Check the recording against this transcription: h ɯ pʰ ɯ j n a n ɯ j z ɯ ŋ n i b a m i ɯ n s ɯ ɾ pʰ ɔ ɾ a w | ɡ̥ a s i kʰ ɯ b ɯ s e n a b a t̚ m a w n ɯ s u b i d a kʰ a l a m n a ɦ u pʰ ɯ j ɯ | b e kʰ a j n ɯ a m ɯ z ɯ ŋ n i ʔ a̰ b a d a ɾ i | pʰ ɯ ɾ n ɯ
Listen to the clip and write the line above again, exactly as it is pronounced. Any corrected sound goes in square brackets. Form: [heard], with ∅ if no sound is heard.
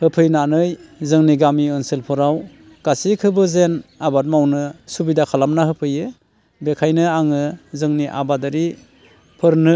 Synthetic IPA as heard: h ɯ pʰ ɯ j n a n ɯ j z ɯ ŋ n i [ɡ] a m i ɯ n s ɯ [l] pʰ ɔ ɾ a w | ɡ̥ a s i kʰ ɯ b ɯ [z] e n a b a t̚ m a w n ɯ s u b i d a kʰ a l a m n a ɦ [ɯ] pʰ ɯ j ɯ | b e kʰ a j n ɯ a [ŋ] ɯ z ɯ ŋ n i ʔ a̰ b a d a ɾ i | pʰ ɯ ɾ n ɯ

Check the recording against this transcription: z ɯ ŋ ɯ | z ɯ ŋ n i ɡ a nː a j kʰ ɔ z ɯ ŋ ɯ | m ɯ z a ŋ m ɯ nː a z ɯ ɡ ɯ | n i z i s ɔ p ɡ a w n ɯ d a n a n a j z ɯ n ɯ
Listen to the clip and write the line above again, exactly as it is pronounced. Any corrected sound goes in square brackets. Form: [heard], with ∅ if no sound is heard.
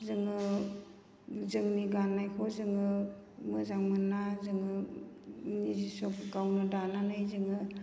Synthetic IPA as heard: z ɯ ŋ ɯ | z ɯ ŋ n i ɡ a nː a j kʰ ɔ z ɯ ŋ ɯ | m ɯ z a ŋ m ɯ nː a z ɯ [ŋ] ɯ | n i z i s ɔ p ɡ a w n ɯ d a n a n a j z ɯ [ŋ] ɯ

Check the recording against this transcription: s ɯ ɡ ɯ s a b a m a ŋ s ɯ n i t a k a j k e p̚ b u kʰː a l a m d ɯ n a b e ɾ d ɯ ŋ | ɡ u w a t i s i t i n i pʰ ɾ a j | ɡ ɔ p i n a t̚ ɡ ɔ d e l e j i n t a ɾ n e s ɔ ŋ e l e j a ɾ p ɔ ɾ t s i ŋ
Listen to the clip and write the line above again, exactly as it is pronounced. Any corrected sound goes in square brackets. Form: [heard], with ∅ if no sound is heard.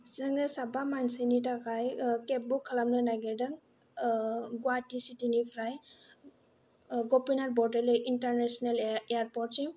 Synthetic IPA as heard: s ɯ [ŋ] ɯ s a b a m a [n] s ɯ n i t a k a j k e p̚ b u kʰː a l a m [n] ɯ n a [ɡ] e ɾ d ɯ ŋ | ɡ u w a t i s i t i n i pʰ ɾ a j | ɡ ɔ p i n a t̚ [b] ɔ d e l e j i n t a ɾ n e s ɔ [n] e l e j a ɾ p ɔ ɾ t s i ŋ

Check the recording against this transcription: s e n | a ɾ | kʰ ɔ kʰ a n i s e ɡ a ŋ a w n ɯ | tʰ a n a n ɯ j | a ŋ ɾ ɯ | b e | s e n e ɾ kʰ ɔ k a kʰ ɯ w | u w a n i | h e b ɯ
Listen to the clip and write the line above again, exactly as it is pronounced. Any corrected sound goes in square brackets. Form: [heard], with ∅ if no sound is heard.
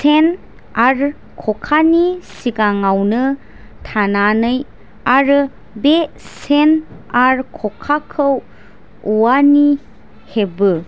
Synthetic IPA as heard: s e n | a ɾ | kʰ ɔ kʰ a n i s [i] ɡ a ŋ a w n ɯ | tʰ a n a n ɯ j | a [∅] ɾ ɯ | b e | s e n [a] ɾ kʰ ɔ [kʰ] a kʰ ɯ w | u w a n i | h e b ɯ

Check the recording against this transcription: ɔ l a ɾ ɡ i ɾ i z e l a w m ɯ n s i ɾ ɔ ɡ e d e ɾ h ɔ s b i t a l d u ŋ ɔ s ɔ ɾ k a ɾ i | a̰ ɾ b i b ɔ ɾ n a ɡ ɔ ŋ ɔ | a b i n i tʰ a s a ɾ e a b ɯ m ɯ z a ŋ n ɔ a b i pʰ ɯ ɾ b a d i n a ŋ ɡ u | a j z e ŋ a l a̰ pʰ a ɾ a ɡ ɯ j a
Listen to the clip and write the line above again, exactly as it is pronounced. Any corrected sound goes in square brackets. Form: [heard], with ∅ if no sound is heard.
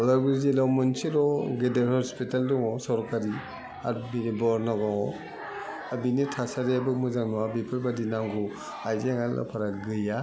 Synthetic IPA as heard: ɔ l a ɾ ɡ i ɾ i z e l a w m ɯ n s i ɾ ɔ ɡ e d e ɾ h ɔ s [p] i t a l d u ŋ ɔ s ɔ ɾ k a ɾ i | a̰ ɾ b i b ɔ ɾ n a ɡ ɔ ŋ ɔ | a b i n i tʰ a s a ɾ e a b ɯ m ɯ z a ŋ n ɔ a b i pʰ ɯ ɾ b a d i n a ŋ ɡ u | a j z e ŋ a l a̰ pʰ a ɾ a ɡ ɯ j a

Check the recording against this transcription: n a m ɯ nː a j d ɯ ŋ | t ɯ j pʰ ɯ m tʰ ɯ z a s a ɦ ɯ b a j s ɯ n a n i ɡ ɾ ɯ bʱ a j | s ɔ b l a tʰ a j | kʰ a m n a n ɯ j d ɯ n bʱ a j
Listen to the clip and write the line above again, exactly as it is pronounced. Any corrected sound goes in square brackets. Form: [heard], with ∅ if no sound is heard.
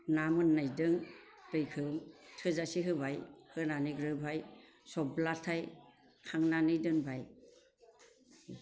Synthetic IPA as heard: n a m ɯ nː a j d ɯ ŋ | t ɯ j [kʰ] ɯ m tʰ ɯ z a s [i] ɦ ɯ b a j [h] ɯ n a n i ɡ ɾ ɯ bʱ a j | s ɔ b l a tʰ a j | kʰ a [ŋ] n a n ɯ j d ɯ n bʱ a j

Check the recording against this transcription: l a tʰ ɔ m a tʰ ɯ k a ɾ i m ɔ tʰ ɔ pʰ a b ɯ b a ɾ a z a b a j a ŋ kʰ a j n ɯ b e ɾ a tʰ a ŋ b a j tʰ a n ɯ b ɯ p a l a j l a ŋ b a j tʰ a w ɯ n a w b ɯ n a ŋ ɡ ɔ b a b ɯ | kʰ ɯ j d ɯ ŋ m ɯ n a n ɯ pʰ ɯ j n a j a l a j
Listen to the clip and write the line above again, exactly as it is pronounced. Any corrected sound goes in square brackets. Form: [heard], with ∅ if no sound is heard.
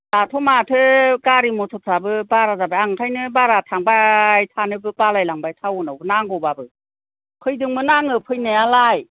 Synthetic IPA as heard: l a tʰ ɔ m a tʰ ɯ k a ɾ i m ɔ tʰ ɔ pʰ a b ɯ b a ɾ a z a b a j a ŋ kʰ a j n ɯ b [a] ɾ a tʰ a ŋ b a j tʰ a n ɯ b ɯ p a l a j l a ŋ b a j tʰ a w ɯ n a w b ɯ n a ŋ ɡ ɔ b a b ɯ | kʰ ɯ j d ɯ ŋ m ɯ n a [ŋ] ɯ pʰ ɯ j n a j a l a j

